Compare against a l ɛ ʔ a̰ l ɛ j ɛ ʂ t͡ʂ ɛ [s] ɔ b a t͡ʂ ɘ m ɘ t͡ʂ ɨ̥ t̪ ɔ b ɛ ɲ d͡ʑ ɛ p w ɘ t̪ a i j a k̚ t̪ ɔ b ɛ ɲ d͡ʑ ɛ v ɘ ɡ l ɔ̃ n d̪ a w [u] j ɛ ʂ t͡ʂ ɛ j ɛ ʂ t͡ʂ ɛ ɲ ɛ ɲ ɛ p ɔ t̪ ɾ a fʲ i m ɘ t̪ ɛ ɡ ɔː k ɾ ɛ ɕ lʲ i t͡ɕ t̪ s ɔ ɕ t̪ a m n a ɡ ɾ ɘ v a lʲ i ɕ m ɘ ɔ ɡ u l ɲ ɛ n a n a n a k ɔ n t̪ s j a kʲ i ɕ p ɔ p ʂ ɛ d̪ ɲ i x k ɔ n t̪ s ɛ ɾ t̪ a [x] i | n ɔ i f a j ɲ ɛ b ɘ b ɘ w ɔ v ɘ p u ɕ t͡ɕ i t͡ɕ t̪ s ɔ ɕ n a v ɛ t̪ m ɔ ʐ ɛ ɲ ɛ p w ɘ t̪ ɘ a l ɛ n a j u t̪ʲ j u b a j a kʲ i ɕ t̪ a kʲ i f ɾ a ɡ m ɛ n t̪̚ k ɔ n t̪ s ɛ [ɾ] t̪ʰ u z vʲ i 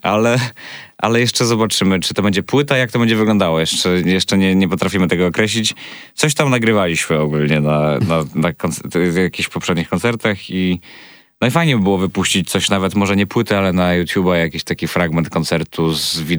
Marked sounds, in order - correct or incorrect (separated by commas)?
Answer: incorrect, incorrect, correct, correct